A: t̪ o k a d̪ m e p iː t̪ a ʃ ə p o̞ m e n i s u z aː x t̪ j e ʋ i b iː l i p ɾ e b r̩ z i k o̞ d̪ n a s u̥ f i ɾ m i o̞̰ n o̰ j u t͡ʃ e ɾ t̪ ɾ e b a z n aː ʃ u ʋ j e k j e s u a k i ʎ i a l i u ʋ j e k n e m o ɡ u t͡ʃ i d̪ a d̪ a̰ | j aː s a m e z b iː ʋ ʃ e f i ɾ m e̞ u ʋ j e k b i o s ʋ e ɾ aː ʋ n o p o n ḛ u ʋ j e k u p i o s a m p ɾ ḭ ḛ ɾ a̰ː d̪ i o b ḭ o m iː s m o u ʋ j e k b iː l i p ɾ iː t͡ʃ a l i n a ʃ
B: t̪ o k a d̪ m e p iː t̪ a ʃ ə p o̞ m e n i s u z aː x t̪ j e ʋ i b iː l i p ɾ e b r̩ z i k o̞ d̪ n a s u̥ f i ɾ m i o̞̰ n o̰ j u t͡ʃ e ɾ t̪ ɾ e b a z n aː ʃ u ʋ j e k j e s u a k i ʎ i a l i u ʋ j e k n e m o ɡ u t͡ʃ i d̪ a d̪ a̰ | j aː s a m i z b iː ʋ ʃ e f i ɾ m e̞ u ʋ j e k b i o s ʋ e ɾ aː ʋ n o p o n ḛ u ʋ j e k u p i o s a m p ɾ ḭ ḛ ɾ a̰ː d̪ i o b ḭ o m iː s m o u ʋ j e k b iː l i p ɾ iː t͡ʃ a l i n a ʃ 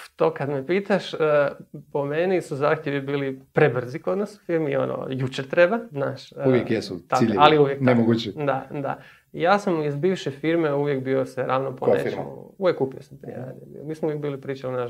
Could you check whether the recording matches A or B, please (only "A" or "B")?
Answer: B